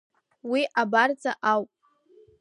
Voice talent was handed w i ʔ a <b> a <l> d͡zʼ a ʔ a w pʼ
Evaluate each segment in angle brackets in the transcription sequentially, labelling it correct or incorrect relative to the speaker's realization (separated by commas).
correct, incorrect